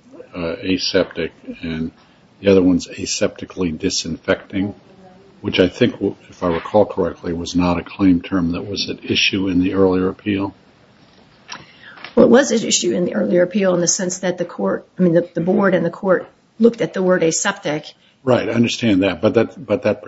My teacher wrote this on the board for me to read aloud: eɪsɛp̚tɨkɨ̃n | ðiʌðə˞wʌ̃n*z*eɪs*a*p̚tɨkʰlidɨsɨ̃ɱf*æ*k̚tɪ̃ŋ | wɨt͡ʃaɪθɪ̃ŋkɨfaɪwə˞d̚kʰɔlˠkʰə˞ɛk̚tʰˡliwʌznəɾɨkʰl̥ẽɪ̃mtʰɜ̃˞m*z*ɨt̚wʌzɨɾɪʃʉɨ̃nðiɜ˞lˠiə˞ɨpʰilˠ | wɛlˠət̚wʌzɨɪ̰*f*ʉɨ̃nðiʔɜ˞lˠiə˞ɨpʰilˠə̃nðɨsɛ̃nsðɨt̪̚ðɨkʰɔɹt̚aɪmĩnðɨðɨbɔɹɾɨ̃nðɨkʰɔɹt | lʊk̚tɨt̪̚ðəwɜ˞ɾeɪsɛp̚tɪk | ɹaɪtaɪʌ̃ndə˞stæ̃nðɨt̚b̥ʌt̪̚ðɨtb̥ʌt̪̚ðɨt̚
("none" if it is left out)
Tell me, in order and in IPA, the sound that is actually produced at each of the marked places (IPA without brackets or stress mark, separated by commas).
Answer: z, ɛ, ɛ, ð, ʃ